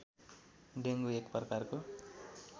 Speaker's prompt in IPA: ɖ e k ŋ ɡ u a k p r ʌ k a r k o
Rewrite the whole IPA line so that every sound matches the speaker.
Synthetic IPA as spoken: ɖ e ŋ ɡ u e k p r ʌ k a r k o